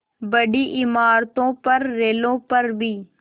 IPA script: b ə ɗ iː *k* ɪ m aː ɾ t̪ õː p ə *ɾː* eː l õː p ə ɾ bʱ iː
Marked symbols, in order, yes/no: no, yes

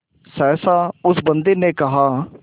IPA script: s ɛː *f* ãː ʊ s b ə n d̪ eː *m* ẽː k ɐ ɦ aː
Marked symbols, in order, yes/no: no, no

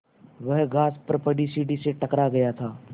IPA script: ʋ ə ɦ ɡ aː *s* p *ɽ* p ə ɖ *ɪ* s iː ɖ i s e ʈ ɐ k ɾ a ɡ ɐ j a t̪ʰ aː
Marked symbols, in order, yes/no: yes, no, no

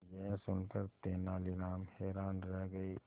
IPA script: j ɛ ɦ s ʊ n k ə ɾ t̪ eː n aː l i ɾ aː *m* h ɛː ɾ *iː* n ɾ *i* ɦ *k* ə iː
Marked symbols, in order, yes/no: yes, no, no, no

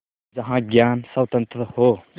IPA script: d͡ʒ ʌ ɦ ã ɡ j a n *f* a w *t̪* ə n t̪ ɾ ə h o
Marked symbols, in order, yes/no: no, yes

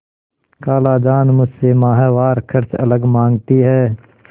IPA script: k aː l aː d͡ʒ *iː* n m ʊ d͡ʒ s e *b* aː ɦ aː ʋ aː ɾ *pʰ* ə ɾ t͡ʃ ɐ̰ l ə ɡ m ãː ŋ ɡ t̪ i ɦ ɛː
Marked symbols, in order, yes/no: no, no, no

